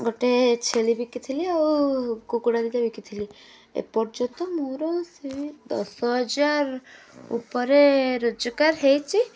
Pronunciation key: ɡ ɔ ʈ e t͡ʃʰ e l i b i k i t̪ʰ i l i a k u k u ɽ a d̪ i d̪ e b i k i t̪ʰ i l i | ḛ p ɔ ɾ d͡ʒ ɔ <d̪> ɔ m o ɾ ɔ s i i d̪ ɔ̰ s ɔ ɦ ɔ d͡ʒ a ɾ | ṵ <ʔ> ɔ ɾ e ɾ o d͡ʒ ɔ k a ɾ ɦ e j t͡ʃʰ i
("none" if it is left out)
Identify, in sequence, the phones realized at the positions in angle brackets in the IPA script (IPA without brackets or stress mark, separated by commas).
t̪, p